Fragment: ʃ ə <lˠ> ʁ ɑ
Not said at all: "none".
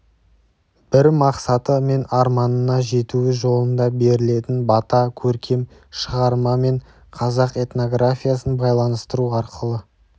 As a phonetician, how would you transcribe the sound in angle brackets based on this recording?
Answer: none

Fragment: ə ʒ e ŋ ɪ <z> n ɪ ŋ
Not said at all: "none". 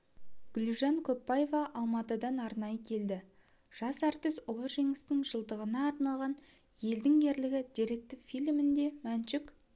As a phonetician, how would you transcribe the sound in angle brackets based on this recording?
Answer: s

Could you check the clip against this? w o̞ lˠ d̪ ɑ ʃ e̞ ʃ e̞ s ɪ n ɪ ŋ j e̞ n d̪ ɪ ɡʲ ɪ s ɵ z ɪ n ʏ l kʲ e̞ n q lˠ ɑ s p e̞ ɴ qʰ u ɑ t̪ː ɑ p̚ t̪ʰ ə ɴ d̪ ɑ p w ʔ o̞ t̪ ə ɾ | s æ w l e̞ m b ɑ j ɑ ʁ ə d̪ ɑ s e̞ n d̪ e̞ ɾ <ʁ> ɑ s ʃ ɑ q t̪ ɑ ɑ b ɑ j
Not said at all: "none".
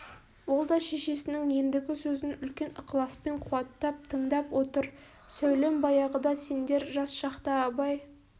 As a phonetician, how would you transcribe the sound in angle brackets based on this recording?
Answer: ʒ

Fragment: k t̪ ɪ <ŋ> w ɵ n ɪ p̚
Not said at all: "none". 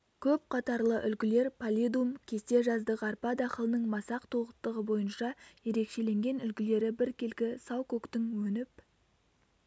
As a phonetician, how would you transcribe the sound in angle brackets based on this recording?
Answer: ŋ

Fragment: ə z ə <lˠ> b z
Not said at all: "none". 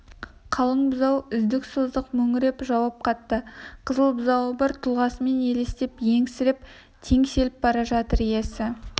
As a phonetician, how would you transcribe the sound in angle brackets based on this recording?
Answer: lˠ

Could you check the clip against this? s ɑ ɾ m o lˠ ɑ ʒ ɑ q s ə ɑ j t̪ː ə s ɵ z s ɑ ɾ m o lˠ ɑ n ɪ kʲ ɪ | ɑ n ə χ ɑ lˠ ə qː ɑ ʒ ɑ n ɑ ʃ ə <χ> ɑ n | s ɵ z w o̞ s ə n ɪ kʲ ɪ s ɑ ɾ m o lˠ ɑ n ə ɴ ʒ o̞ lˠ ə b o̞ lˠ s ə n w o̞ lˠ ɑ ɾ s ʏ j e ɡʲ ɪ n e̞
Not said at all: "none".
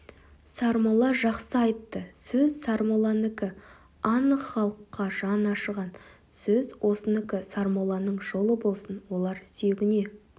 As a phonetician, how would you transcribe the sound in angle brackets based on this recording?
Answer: ʁ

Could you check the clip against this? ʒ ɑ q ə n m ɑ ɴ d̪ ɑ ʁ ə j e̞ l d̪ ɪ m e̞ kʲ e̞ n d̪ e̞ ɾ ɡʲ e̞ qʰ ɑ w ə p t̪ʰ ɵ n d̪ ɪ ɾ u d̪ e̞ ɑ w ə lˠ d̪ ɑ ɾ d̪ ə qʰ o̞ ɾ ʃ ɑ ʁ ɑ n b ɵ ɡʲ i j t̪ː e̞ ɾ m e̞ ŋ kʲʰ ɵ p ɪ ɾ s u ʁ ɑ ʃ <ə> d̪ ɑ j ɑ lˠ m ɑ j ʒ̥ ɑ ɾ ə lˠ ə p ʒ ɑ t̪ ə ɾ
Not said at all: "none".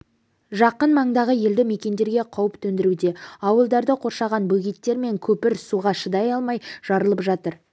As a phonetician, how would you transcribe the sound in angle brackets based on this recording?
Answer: ə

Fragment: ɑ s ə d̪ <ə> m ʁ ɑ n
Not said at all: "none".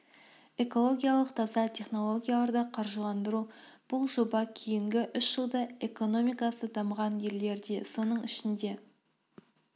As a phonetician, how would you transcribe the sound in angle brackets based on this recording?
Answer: ɑ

